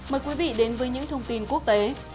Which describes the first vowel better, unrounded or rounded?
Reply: unrounded